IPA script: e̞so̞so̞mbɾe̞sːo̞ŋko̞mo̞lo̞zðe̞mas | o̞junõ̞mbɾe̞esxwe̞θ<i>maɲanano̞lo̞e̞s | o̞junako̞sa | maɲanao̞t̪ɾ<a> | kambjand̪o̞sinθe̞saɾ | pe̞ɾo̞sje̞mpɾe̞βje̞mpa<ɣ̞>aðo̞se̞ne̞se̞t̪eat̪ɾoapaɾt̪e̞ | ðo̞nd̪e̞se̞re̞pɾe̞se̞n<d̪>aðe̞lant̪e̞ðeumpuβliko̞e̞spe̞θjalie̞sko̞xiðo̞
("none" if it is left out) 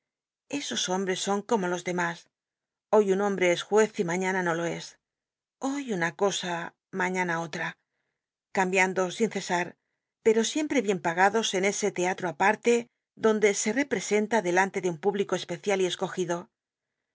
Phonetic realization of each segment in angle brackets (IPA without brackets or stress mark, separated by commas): i, a, ɣ̞, t̪